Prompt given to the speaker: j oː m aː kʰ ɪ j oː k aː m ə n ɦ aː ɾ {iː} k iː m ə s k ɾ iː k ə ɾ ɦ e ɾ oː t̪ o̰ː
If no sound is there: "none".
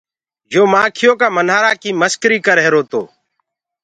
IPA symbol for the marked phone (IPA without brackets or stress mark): aː